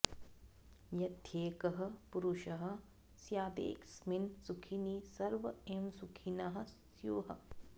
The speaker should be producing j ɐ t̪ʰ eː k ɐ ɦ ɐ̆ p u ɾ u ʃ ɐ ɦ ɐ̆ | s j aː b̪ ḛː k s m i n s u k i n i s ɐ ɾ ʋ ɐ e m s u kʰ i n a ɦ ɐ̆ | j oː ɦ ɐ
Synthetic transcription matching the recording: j ɐ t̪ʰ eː k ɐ ɦ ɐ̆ p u ɾ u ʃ ɐ ɦ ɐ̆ | s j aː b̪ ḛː k s m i n s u kʰ i n i s ɐ ɾ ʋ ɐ e m s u kʰ i n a ɦ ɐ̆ | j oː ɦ ɐ